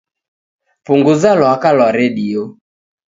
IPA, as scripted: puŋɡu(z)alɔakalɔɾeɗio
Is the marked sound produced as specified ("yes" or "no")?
yes